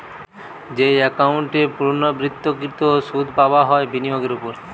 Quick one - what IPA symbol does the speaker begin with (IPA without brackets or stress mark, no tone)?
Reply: d͡ʑ